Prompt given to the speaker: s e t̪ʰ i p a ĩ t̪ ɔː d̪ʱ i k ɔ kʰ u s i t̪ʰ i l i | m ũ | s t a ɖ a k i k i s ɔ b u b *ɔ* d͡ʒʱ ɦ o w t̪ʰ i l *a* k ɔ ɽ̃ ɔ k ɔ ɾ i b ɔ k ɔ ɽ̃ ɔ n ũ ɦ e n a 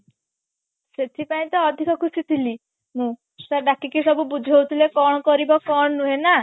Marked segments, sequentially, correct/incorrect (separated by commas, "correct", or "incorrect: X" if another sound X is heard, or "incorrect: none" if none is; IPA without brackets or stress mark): incorrect: u, incorrect: e